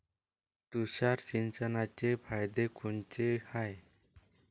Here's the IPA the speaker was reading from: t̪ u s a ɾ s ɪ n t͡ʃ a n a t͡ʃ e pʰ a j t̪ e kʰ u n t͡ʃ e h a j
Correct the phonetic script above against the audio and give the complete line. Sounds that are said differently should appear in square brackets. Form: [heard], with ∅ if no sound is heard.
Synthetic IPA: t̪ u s a ɾ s [i] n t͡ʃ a n a t͡ʃ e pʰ a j [d̪] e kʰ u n t͡ʃ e h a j